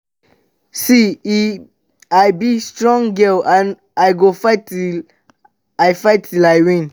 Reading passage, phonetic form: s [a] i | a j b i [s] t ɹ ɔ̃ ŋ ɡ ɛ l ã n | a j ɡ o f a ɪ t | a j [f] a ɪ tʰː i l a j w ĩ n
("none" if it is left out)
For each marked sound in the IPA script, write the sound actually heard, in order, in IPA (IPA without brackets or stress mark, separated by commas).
i, s, f